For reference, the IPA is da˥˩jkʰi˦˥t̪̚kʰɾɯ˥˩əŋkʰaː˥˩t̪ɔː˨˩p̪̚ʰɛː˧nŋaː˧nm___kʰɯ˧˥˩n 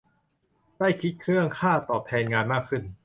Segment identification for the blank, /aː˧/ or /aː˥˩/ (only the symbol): aː˥˩